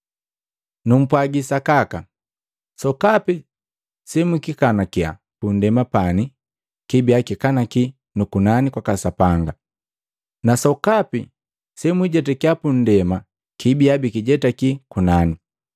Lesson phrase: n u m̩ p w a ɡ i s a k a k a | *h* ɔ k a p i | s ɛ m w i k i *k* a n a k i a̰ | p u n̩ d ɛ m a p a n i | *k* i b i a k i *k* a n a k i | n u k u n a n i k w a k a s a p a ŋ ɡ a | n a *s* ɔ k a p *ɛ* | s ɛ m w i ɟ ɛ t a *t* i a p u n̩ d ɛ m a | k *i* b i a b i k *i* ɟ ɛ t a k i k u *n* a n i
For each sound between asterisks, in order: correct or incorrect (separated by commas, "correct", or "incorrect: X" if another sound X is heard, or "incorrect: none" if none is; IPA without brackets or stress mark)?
incorrect: s, correct, correct, correct, correct, incorrect: i, incorrect: k, correct, correct, correct